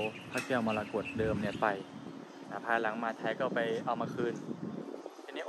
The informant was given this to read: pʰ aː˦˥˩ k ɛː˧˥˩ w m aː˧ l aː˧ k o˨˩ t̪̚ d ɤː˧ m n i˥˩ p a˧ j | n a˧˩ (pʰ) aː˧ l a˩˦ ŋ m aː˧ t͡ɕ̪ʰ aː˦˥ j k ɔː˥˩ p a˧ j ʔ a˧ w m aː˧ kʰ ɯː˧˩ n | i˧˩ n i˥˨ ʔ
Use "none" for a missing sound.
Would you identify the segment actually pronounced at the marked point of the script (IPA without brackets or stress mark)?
pʰ